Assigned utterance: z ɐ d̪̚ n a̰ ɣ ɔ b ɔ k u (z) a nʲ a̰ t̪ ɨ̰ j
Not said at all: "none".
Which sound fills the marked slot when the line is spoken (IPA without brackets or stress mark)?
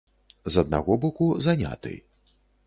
z